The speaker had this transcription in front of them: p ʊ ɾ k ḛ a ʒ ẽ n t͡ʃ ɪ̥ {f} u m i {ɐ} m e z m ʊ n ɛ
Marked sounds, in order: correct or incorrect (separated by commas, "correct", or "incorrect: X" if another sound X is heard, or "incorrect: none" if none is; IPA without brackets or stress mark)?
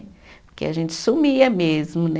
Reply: incorrect: s, correct